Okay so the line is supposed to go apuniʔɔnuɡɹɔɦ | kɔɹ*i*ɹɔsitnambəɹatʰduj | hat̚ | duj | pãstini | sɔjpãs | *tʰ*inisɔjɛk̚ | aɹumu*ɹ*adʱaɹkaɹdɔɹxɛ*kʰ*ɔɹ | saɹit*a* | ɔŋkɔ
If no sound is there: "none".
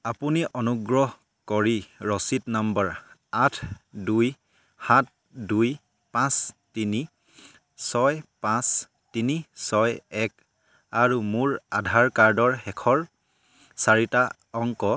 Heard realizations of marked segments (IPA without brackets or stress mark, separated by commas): i, t, ɹ, kʰ, a